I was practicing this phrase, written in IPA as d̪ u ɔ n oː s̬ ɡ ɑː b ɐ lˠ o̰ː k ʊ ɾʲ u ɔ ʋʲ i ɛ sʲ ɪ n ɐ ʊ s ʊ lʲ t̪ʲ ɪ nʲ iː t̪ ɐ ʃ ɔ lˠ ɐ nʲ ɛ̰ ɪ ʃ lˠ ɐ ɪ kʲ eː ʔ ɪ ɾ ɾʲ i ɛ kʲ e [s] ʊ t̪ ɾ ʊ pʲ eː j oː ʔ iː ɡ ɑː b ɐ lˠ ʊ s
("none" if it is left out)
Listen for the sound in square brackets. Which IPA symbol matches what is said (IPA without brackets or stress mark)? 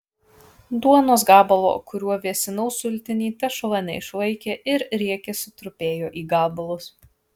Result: s